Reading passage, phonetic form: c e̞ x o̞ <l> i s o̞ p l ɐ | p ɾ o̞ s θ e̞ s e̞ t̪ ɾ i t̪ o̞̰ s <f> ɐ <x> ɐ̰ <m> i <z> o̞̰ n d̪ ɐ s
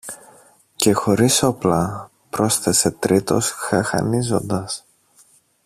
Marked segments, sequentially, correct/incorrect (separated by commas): incorrect, incorrect, correct, incorrect, correct